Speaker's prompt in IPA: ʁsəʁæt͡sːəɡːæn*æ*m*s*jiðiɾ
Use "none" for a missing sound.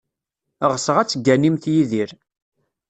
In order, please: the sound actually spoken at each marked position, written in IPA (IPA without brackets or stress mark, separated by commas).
i, θ